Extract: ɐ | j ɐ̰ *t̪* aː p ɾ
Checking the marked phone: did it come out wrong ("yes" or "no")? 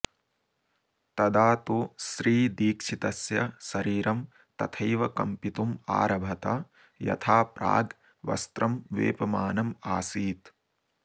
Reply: yes